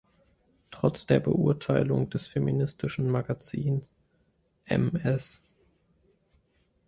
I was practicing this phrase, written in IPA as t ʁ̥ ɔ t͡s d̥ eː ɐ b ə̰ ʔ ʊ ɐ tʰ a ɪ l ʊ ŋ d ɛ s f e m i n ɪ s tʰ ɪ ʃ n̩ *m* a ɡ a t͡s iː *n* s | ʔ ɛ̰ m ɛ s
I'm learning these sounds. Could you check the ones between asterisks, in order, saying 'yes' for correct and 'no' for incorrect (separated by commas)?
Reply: yes, yes